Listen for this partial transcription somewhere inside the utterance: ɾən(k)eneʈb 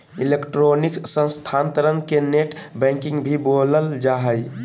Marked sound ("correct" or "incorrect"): correct